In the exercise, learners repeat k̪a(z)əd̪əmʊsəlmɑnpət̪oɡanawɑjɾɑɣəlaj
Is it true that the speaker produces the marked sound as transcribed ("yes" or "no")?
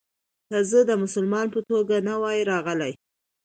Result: yes